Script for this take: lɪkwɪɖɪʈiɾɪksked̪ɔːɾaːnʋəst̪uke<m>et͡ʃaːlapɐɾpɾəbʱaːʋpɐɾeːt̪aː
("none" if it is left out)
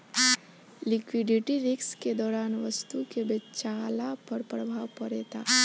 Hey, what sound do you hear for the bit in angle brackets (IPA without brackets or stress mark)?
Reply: b